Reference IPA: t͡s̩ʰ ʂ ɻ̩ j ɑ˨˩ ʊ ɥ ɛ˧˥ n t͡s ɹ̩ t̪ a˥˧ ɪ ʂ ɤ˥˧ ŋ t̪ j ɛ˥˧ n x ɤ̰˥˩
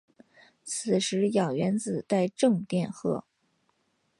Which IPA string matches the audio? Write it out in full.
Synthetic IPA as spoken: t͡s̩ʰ ʂ ɻ̩ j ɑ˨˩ ʊ ɥ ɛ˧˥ n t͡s ɹ̩ t̪ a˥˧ ɪ ʈ͡ʂ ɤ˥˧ ŋ t̪ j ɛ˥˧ n x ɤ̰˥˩